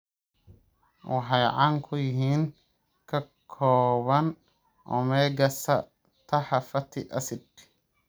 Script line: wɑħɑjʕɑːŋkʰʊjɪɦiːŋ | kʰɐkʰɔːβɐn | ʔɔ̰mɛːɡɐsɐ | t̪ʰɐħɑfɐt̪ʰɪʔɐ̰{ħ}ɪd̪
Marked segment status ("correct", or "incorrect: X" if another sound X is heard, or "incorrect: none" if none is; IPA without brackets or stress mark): incorrect: s